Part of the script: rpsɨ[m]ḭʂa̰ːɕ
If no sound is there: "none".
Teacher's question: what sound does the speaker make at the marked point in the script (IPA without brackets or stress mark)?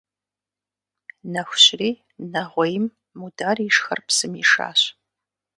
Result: m